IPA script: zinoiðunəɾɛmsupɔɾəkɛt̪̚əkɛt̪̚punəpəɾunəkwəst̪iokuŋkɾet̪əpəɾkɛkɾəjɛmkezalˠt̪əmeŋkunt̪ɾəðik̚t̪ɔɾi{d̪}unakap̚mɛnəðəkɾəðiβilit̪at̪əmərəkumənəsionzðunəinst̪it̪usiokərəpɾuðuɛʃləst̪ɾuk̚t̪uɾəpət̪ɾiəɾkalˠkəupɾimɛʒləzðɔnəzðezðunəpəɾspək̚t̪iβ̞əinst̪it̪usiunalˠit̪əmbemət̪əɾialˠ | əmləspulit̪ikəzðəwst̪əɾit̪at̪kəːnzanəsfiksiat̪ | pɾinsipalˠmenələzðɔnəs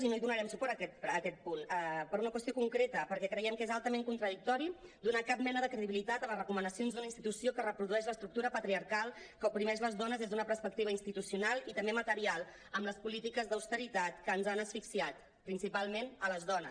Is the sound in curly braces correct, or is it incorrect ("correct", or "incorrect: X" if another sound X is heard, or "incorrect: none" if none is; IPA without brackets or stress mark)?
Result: correct